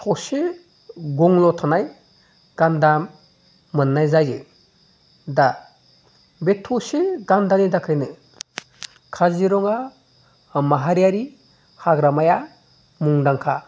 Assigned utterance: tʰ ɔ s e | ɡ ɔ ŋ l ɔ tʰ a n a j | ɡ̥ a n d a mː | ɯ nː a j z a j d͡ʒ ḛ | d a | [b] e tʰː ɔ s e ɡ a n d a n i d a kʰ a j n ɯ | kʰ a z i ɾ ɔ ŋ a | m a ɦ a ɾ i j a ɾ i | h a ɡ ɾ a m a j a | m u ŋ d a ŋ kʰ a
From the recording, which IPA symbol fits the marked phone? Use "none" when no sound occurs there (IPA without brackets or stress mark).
b